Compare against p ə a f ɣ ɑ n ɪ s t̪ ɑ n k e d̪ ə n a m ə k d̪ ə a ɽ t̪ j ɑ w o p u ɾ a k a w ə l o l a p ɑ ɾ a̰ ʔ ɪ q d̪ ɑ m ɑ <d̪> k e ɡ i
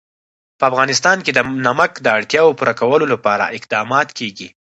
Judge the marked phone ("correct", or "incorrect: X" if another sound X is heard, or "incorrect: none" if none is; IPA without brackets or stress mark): incorrect: t̪